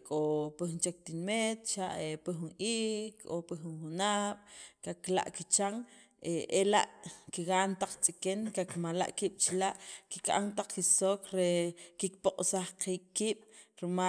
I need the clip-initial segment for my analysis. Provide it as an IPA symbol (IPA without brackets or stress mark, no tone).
kʼ